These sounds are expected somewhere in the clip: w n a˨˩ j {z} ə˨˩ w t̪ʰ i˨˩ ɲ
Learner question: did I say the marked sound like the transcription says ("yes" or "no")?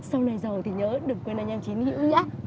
yes